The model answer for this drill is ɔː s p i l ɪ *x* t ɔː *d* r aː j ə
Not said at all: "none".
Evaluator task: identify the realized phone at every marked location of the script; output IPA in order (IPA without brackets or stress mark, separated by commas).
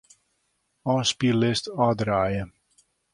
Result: s, d